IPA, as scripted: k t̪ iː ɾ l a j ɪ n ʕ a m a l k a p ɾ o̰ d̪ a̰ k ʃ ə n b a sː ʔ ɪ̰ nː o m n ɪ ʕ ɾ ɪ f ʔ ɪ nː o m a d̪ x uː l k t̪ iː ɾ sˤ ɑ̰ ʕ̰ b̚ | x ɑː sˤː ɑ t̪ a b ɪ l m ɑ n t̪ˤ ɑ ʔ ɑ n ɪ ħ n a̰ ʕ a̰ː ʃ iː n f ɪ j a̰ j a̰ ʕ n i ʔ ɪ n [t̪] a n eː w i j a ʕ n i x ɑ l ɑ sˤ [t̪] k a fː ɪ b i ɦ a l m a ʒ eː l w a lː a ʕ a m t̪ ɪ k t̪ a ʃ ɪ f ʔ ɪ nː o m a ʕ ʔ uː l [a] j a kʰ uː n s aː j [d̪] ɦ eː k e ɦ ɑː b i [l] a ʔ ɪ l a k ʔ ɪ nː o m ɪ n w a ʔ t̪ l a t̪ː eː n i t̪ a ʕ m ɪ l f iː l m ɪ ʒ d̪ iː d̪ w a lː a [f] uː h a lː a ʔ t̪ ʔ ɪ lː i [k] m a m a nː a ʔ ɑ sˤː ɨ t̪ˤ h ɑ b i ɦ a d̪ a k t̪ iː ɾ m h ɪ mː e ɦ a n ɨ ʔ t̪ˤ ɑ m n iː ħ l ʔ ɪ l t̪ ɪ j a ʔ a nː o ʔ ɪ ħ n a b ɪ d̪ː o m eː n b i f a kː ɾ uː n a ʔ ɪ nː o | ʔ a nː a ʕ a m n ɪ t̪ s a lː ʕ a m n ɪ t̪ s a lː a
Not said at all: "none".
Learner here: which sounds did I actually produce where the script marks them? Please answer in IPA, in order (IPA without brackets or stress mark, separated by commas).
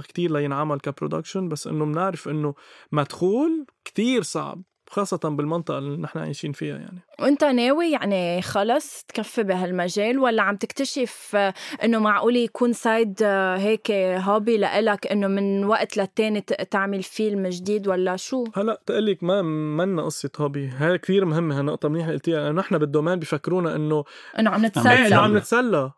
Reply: t̪, t̪, i, d̪, l, ʃ, k